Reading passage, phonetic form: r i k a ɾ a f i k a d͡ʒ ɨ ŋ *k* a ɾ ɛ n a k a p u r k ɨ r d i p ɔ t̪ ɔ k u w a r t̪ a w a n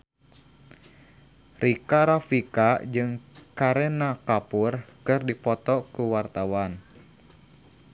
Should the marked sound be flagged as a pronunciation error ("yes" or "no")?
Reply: no